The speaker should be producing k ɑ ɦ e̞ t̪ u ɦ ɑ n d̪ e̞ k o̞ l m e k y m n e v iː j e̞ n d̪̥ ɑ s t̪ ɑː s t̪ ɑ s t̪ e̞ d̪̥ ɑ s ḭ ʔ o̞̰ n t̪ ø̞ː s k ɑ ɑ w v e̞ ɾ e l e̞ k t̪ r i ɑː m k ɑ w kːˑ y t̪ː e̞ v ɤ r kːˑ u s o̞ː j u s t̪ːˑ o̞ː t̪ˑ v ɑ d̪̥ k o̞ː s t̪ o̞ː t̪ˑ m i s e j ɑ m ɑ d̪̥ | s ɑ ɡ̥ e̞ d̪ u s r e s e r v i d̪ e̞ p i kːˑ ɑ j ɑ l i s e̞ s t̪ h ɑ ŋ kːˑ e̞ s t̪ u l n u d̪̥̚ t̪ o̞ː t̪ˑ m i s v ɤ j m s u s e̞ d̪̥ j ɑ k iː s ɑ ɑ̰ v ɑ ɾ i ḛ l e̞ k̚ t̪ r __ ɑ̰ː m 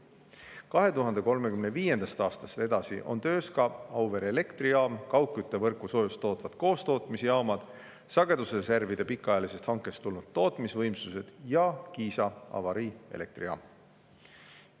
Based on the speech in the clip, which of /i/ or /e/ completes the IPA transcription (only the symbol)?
i